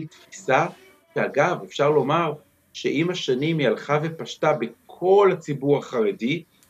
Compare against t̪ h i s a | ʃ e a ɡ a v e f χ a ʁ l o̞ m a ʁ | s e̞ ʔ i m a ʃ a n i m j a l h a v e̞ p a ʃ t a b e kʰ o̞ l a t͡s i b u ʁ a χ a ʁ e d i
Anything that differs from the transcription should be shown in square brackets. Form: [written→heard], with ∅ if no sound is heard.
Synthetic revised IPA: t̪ [h→f] i s a | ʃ e a ɡ a v e f [χ→ʃ] a ʁ l o̞ m a ʁ | [s→ʃ] e̞ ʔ i m a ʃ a n i m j a l [h→χ] a v e̞ p a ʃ t a b e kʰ o̞ l a t͡s i b u ʁ a χ a ʁ e d i